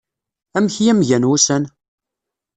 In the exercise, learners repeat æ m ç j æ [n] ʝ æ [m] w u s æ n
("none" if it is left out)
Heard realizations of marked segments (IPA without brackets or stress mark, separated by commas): m, n